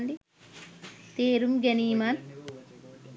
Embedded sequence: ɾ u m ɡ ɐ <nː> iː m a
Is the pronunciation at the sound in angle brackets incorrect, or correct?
incorrect